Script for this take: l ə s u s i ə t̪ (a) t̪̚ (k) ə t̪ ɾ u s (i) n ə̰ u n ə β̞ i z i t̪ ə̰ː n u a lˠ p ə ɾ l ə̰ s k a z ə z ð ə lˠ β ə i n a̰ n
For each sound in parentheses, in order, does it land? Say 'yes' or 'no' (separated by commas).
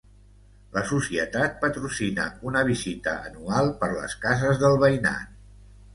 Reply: yes, no, yes